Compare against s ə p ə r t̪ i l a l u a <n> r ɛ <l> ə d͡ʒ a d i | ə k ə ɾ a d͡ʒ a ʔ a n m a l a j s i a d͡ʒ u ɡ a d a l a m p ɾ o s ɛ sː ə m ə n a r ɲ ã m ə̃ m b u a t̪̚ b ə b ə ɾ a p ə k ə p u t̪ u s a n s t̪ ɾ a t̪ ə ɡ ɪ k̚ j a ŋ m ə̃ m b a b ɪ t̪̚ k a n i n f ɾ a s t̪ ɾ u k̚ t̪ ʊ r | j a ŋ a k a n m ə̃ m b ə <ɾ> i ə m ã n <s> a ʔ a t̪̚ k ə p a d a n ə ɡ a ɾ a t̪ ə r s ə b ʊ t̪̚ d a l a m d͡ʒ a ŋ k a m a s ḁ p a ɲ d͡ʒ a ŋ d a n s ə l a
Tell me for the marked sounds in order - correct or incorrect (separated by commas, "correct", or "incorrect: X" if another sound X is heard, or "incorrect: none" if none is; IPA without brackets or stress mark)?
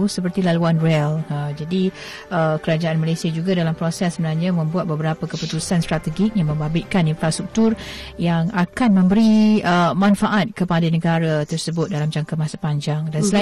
correct, correct, correct, incorrect: f